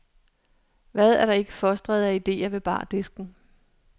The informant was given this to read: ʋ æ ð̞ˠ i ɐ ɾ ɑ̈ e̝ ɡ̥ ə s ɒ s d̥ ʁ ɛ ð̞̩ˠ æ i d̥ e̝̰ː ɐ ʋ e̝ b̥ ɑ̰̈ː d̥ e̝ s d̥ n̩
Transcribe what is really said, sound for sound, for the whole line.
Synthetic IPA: ʋ æ ð̞ˠ æ ɐ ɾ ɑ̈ e̝ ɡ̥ ə f ɒ s d̥ ʁ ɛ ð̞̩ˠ æ i d̥ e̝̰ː ɐ ʋ e̝ b̥ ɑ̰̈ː d̥ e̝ s ɡ̥ n̩